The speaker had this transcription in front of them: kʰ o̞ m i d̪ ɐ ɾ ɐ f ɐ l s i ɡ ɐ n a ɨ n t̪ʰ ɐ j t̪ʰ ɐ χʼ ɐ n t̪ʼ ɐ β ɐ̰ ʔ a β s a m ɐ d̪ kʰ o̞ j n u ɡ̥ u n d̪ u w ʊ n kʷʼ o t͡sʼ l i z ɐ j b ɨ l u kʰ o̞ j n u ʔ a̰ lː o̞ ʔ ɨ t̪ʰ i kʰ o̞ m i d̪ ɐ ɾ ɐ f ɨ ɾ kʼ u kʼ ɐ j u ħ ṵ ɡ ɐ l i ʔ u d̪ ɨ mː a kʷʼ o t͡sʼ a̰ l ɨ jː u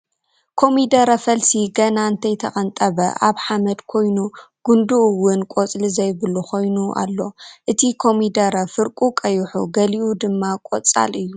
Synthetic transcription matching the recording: kʰ o̞ m i d̪ ɐ ɾ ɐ f ɐ l s i ɡ ɐ n a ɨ n t̪ʰ ɐ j t̪ʰ ɐ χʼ ɐ n t̪ʼ ɐ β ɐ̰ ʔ a β ħ a m ɐ d̪ kʰ o̞ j n u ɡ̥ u n d̪ u w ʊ n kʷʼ o t͡sʼ l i z ɐ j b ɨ l u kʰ o̞ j n u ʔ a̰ lː o̞ ʔ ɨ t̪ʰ i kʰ o̞ m i d̪ ɐ ɾ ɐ f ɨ ɾ kʼ u kʼ ɐ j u ħ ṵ ɡ ɐ l i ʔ u d̪ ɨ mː a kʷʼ o t͡sʼ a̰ l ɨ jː u